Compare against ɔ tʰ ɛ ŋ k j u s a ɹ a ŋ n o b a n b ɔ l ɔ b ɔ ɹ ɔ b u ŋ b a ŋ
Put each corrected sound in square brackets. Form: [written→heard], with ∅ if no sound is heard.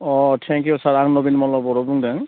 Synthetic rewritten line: ɔ tʰ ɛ ŋ k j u s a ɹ a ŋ n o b [a→i] n [b→m] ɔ l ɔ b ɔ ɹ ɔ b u ŋ [b→d] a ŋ